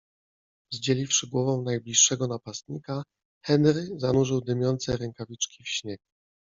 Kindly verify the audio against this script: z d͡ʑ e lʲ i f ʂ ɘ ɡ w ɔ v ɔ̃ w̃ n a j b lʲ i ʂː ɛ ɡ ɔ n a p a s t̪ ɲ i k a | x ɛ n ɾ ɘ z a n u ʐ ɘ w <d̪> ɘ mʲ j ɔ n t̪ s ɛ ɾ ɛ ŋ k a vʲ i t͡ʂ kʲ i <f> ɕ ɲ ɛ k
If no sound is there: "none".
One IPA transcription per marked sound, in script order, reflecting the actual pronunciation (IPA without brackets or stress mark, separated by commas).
d̪, f